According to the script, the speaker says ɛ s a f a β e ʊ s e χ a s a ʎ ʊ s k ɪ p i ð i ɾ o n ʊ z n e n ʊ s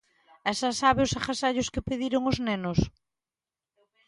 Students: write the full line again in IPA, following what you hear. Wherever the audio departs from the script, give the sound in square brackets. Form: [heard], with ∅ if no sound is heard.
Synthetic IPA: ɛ s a [s] a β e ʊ s [a] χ a s a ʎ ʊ s k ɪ p [e] ð i ɾ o [ŋ] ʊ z n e n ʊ s